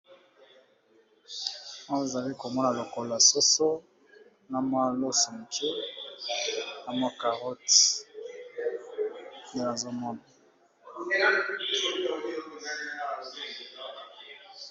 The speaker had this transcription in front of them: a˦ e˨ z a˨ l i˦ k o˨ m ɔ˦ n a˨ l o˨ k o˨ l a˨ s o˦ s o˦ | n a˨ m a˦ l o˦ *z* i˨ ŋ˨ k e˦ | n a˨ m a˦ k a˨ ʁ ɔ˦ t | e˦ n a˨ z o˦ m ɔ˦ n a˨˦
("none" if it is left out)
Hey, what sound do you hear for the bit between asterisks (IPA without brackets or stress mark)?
s